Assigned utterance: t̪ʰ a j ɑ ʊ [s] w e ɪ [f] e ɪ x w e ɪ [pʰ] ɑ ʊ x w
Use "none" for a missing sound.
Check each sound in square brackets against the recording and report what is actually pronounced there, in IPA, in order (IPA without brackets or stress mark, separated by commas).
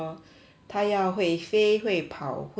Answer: x, f, pʰ